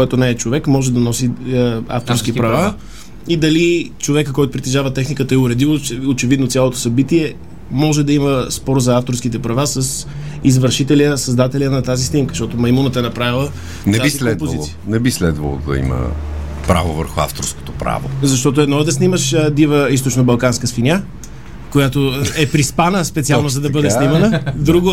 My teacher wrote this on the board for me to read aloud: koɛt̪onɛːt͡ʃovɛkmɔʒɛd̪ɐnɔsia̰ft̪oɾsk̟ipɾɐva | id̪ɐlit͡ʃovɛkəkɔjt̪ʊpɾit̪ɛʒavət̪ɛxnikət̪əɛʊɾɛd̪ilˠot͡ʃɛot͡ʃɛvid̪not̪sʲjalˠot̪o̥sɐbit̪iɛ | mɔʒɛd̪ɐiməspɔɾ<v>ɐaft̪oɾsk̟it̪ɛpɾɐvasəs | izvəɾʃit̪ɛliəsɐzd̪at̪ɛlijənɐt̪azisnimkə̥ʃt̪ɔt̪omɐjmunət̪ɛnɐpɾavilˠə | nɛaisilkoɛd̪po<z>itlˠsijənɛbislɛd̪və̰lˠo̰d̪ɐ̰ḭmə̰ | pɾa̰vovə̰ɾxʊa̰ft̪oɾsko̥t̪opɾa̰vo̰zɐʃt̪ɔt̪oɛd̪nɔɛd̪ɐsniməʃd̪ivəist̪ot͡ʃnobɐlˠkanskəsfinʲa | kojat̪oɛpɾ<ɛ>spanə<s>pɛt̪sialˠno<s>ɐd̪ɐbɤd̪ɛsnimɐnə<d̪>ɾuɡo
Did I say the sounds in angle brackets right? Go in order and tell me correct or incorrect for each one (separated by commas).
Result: incorrect, correct, incorrect, correct, incorrect, correct